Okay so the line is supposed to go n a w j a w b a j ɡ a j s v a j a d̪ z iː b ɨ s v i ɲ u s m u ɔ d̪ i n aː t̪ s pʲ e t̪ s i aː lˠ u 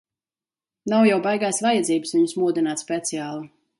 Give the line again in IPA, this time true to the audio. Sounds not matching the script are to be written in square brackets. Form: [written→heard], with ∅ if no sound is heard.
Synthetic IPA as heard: n a w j a w b a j ɡ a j s v a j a d̪ z iː b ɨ s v i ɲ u s m u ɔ d̪ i n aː t̪ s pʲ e t̪ s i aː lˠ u